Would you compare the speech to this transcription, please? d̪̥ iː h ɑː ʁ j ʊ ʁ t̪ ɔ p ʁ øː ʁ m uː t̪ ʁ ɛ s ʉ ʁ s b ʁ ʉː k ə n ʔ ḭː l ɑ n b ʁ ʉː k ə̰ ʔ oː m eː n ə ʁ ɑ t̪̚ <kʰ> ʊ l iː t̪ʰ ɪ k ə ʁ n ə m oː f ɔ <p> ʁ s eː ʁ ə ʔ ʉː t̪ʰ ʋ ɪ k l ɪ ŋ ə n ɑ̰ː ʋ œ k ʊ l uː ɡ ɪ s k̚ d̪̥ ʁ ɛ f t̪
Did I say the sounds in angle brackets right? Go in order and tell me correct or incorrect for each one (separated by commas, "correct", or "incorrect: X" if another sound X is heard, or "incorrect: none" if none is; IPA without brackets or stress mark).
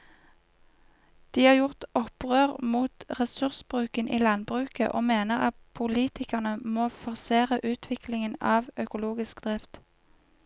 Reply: incorrect: pʰ, incorrect: none